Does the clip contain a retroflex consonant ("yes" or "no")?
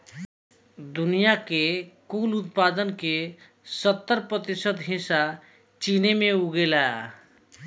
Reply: no